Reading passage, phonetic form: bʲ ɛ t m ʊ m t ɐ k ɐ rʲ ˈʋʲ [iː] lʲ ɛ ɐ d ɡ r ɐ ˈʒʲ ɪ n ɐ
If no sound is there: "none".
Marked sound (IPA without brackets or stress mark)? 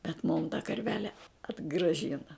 æː